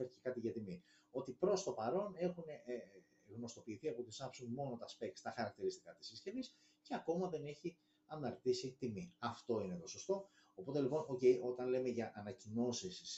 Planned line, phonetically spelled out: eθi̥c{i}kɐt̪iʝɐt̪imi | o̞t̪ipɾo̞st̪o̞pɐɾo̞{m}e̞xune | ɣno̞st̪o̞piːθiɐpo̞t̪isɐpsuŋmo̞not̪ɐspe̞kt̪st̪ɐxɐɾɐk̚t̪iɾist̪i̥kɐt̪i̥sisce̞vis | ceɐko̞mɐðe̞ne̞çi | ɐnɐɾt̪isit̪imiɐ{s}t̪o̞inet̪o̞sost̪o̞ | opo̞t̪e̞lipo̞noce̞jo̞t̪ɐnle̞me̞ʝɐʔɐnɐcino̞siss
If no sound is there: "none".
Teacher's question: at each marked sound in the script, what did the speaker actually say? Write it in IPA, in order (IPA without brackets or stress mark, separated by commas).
e, n, f